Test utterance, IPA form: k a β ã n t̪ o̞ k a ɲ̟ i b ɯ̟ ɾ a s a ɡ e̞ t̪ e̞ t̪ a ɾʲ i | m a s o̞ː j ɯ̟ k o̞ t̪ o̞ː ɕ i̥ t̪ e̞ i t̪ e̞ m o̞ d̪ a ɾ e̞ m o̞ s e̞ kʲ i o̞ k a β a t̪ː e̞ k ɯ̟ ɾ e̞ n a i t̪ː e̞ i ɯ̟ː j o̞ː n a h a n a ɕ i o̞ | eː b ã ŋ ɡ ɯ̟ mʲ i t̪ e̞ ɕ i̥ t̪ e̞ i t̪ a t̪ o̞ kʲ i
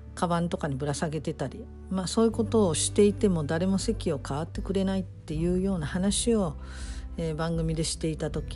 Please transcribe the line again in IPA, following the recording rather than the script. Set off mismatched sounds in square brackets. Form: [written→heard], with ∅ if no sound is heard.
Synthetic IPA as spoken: k a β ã n t̪ o̞ k a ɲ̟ i b ɯ̟ ɾ a s a ɡ e̞ t̪ e̞ t̪ a ɾʲ i | m a s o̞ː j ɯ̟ k o̞ t̪ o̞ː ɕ i̥ t̪ e̞ i t̪ e̞ m o̞ d̪ a ɾ e̞ m o̞ s e̞ kʲ i o̞ k a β a t̪ː e̞ k ɯ̟ ɾ e̞ n a i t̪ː e̞ [i→j] ɯ̟ː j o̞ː n a h a n a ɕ i o̞ | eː b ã ŋ ɡ ɯ̟ mʲ i [t̪→d̪] e̞ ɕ i̥ t̪ e̞ i t̪ a t̪ o̞ kʲ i